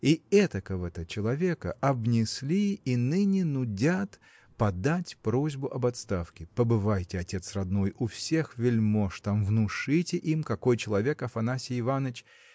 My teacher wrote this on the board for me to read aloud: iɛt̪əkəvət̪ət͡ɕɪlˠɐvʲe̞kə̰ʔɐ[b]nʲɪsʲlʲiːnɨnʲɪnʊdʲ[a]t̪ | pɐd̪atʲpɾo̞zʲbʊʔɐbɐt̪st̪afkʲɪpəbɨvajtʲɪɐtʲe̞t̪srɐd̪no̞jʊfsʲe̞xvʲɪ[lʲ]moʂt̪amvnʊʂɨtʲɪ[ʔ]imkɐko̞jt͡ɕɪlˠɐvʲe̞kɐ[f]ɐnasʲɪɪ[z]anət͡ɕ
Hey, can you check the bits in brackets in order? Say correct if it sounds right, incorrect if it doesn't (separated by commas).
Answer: correct, correct, correct, correct, correct, incorrect